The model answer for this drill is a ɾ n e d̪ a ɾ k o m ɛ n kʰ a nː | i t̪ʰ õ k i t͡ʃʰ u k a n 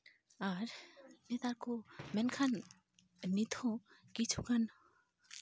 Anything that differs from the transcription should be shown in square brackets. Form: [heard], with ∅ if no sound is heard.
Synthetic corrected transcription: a ɾ n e [t̪] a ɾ k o m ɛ n kʰ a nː | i t̪ʰ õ k i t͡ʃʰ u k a n

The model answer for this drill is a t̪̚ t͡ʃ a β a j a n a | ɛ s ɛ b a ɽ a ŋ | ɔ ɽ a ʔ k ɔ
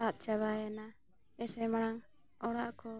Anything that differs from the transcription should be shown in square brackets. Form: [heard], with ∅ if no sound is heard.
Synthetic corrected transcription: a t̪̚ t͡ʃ a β a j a n a | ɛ s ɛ [m] a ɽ a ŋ | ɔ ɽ a ʔ k ɔ

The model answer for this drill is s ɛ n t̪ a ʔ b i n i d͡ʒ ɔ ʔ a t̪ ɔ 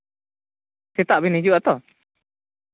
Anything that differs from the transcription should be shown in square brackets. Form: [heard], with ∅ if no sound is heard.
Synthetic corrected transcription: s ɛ [∅] t̪ a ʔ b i n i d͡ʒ [u] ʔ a t̪ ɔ

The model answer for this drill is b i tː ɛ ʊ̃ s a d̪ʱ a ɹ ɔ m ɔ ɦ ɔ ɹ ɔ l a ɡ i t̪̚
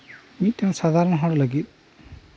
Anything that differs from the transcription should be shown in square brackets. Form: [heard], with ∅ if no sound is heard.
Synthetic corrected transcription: [m] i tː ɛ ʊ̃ s a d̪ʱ a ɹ ɔ [n] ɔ ɦ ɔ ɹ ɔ l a ɡ i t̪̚

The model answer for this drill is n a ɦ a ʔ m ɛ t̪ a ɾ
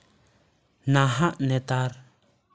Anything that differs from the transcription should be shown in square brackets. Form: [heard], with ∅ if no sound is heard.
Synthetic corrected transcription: n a ɦ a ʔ [n] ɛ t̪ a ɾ

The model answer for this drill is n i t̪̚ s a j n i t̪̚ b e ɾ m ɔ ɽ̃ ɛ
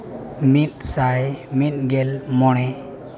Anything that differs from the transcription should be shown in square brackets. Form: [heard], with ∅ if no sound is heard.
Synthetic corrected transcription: [m] i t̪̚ s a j [m] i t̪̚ [ɡ] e [l] m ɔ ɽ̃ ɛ

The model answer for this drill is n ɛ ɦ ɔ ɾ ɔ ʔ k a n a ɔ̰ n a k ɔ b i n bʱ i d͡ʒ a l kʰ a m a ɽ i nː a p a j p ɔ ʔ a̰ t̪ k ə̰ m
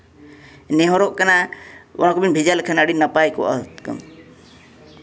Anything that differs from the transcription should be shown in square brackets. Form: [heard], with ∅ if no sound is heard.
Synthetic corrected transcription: n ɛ ɦ ɔ ɾ ɔ ʔ k a n a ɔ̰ n a k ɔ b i n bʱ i d͡ʒ a l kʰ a [n] a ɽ i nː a p a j [k] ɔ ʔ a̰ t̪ k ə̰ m

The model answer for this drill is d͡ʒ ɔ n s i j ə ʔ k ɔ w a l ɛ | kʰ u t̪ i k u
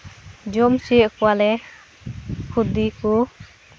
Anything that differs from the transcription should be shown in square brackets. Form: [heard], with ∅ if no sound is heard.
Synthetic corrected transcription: d͡ʒ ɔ [m] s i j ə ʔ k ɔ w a l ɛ | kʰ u [d̪] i k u

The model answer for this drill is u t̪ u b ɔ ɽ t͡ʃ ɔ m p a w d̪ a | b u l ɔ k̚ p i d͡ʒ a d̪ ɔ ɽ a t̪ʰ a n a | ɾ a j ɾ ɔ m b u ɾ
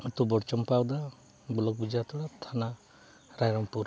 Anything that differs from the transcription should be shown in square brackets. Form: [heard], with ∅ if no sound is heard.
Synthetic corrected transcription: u t̪ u b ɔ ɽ t͡ʃ ɔ m p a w d̪ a | b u l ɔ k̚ [b] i d͡ʒ a [t̪] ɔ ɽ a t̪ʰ a n a | ɾ a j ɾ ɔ m [p] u ɾ

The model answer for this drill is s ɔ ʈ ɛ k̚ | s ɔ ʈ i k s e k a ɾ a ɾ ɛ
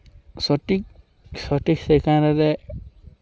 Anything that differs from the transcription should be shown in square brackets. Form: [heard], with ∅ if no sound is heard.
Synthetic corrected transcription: s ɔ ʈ [i] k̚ | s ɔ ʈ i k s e k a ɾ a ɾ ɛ

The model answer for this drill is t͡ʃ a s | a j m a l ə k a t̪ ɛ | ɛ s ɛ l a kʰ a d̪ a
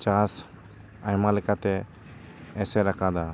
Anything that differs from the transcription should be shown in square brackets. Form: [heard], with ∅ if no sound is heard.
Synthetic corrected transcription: t͡ʃ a s | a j m a l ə k a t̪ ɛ | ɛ s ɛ [ɾ] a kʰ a d̪ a

